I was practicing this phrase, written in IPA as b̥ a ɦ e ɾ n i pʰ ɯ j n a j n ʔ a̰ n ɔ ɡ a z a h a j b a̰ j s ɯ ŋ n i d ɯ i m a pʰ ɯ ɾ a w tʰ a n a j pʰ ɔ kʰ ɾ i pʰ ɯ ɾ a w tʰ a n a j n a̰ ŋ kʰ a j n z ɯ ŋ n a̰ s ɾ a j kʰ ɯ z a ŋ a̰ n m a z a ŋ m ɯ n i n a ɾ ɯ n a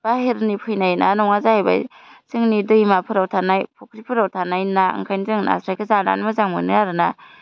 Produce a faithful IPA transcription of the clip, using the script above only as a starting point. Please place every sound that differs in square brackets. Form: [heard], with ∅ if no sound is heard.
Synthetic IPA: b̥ a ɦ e ɾ n i pʰ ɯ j n a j n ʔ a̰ n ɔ [ŋ] a z a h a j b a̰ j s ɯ ŋ n i d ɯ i m a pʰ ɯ ɾ a w tʰ a n a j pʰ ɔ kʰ ɾ i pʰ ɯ ɾ a w tʰ a n a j n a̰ ŋ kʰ a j n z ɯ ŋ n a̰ s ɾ a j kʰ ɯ z a [n] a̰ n m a z a ŋ m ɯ n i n a ɾ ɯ n a